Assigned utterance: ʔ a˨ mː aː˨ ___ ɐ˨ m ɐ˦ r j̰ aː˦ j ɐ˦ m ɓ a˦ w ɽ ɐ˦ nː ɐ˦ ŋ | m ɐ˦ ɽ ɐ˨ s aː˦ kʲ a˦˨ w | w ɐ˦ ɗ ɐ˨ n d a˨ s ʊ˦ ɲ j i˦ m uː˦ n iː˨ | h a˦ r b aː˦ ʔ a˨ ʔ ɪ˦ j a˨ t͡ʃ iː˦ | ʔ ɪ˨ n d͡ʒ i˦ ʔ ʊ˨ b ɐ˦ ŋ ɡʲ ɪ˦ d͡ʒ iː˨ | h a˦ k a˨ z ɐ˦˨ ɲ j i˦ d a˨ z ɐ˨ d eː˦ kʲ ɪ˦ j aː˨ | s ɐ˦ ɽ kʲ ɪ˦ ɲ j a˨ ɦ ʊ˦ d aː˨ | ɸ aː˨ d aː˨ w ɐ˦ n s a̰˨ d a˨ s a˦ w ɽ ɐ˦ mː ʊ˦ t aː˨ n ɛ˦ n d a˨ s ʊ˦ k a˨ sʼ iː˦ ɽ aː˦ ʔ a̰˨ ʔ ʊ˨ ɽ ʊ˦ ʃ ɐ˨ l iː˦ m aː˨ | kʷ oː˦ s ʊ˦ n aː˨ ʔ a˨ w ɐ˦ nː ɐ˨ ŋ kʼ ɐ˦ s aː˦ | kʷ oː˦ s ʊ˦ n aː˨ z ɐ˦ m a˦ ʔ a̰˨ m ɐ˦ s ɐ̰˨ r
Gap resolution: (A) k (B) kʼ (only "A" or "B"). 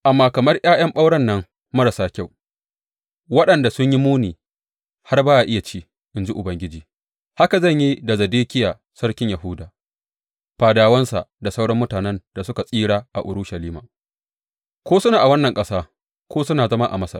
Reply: A